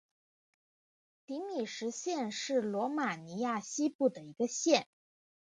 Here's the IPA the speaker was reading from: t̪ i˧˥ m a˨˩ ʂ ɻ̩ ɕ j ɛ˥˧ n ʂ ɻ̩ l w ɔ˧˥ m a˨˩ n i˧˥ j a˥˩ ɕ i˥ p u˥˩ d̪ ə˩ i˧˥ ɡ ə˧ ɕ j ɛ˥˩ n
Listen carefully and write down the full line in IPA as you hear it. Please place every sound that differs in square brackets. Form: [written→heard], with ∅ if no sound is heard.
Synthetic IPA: t̪ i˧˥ m [a˨˩→i˨˩] ʂ ɻ̩ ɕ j ɛ˥˧ n ʂ ɻ̩ l w ɔ˧˥ m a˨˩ n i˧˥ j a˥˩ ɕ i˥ p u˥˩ d̪ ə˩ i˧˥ ɡ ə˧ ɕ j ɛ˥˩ n